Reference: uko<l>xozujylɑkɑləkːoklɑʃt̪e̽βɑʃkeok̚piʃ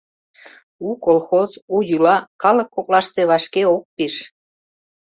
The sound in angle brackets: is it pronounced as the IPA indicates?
yes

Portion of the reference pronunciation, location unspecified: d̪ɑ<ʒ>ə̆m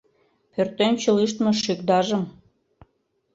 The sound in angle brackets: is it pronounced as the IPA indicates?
yes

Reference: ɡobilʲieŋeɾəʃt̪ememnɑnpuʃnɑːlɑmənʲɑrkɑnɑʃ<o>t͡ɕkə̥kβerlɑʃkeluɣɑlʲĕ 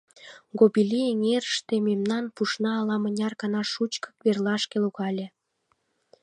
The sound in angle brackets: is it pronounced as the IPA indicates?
no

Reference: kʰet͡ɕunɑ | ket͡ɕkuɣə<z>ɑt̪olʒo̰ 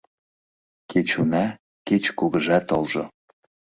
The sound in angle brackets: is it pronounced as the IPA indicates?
no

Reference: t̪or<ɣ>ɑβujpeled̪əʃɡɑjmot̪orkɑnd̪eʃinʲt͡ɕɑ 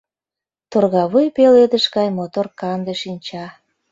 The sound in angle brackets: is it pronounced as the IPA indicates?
yes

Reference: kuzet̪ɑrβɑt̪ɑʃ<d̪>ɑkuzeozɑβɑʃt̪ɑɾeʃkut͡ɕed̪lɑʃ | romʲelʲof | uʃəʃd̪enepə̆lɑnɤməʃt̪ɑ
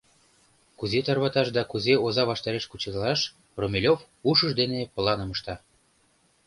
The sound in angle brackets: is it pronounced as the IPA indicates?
yes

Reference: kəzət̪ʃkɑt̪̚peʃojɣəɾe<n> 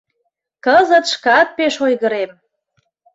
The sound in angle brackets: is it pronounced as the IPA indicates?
no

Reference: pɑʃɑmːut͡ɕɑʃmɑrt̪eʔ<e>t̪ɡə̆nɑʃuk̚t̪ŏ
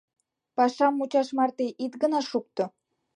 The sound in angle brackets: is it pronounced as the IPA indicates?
no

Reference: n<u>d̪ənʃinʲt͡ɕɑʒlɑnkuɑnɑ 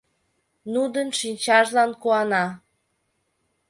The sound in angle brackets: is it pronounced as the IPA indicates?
yes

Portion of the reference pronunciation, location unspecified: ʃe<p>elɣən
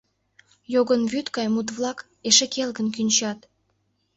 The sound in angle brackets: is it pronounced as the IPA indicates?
no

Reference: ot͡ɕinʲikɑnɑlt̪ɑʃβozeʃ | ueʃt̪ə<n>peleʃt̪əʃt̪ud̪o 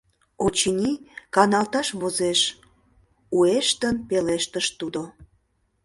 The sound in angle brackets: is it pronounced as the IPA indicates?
yes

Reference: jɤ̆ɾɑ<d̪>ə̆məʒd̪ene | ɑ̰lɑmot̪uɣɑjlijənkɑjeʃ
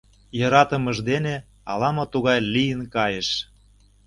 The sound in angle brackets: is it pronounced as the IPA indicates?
no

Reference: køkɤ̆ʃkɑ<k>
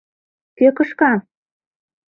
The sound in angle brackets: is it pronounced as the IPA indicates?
no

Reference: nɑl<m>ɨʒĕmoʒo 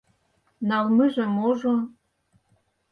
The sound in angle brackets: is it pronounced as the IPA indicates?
yes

